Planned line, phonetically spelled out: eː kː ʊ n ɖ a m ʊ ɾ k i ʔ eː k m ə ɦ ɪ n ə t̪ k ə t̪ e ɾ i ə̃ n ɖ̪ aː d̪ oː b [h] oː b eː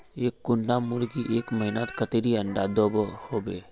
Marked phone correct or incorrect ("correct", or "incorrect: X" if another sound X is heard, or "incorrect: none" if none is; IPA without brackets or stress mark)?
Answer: correct